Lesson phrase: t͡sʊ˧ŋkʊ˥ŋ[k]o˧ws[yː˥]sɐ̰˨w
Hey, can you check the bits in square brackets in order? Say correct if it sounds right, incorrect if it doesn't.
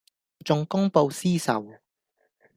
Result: incorrect: p, incorrect: iː˥

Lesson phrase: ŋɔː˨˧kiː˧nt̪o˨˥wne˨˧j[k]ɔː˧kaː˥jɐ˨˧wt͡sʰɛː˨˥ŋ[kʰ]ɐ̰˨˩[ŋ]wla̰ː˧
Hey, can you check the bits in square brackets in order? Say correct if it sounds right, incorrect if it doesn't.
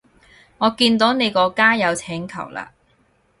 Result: correct, correct, incorrect: none

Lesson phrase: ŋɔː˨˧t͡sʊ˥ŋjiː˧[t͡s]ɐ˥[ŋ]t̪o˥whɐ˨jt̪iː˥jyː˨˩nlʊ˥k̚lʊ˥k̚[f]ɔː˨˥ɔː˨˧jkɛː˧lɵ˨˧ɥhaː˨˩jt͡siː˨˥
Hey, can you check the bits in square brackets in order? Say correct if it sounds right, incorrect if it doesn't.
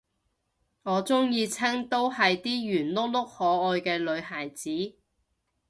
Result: incorrect: t͡sʰ, correct, incorrect: h

